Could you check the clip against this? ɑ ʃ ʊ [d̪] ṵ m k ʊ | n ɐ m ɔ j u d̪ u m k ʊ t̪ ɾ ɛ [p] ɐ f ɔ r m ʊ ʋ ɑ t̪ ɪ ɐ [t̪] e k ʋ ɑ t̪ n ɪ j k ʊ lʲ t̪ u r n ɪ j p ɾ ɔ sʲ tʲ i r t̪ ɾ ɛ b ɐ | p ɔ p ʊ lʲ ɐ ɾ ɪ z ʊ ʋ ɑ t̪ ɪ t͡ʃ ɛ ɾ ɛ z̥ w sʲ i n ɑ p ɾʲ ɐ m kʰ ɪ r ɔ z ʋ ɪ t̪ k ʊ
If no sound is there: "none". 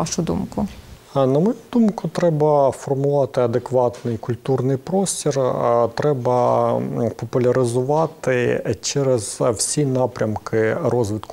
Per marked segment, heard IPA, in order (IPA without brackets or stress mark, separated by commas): d̪, b, d̪